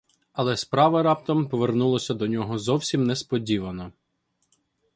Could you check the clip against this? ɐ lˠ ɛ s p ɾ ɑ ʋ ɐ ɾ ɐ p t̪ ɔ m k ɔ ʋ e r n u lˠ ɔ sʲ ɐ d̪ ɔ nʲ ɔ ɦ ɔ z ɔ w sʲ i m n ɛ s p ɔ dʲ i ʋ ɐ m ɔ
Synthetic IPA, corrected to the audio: ɐ lˠ ɛ s p ɾ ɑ ʋ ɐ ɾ ɑ p t̪ ɔ m p ɔ ʋ e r n u lˠ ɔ sʲ ɐ d̪ ɔ nʲ ɔ ɦ ɔ z ɔ w sʲ i m n ɛ s p ɔ dʲ i ʋ ɐ n ɔ

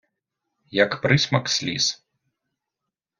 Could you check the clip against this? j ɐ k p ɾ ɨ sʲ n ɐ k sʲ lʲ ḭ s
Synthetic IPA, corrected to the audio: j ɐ k p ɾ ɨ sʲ m ɐ k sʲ lʲ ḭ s

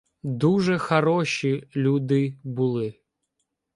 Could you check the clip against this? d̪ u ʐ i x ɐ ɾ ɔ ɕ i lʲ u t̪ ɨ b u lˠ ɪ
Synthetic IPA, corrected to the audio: d̪ u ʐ ɛ x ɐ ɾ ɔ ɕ i lʲ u d̪ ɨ b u lˠ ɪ

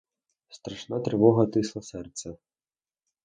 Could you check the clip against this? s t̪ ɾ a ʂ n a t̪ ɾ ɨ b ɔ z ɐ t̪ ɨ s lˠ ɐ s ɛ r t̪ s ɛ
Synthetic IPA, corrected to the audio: s t̪ ɾ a ʂ n a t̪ ɾ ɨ v ɔ ɣ ɐ t̪ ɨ s lˠ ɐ s ɛ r t̪ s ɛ

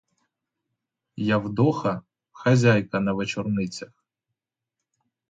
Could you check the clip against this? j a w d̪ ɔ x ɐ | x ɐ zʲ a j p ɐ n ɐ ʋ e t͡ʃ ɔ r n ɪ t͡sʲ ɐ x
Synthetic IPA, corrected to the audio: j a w d̪ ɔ x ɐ | x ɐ zʲ a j k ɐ n ɐ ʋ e t͡ʃ ɔ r n ɪ t͡sʲ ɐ x

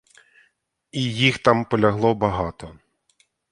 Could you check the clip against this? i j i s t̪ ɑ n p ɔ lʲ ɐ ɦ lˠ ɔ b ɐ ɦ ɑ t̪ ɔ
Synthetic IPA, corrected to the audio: i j i x t̪ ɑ m p ɔ lʲ ɐ ɦ lˠ ɔ b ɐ ɦ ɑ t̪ ɔ

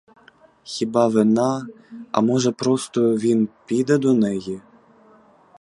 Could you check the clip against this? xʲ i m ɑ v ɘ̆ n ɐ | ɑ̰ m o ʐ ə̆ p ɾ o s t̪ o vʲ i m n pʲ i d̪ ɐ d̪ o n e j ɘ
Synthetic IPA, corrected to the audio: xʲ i b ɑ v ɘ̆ n ɑ | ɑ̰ m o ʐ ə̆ p ɾ o s t̪ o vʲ i n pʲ i d̪ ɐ d̪ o n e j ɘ

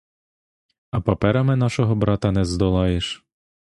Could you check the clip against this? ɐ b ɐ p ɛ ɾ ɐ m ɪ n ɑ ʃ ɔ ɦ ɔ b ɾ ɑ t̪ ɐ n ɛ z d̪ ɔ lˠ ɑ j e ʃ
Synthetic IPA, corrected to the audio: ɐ p ɐ p ɛ ɾ ɐ m ɪ n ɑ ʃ ɔ ɦ ɔ b ɾ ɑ t̪ ɐ n ɛ z d̪ ɔ lˠ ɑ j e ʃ

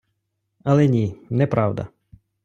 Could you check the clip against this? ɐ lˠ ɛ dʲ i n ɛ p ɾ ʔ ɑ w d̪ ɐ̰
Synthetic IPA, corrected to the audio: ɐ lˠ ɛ nʲ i n ɛ p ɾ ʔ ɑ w d̪ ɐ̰

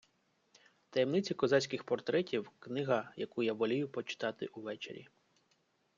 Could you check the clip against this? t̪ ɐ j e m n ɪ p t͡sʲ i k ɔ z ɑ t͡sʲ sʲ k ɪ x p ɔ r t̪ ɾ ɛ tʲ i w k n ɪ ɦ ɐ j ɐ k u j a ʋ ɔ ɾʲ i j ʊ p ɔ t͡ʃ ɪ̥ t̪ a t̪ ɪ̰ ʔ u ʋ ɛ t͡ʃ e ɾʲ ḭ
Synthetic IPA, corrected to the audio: t̪ ɐ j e m n ɪ t͡sʲ i k ɔ z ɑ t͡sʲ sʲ k ɪ x p ɔ r t̪ ɾ ɛ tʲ i w k n ɪ ɦ ɐ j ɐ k u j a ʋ ɔ lʲ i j ʊ p ɔ t͡ʃ ɪ̥ t̪ ɑ t̪ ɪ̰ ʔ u ʋ ɛ t͡ʃ e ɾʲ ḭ

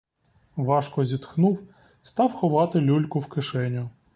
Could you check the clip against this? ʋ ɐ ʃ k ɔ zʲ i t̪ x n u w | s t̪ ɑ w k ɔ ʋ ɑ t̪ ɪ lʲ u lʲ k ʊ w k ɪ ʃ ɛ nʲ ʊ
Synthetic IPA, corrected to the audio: ʋ ɑ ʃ k ɔ zʲ i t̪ x n u w | s t̪ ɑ w x ɔ ʋ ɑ t̪ ɪ lʲ u lʲ k ʊ w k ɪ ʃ ɛ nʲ ʊ

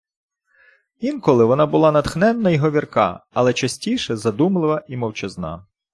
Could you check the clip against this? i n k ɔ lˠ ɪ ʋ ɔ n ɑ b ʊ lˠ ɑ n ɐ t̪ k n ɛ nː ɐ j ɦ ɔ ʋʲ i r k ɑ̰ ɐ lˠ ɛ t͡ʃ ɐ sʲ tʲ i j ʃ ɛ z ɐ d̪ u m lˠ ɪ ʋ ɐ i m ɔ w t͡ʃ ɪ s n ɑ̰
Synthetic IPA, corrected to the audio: i n k ɔ lˠ ɪ ʋ ɔ n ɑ b ʊ lˠ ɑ n ɐ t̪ x n ɛ nː ɐ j ɦ ɔ ʋʲ i r k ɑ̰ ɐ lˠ ɛ t͡ʃ ɐ sʲ tʲ i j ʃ ɛ z ɐ d̪ u m lˠ ɪ ʋ ɐ i m ɔ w t͡ʃ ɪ z n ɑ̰

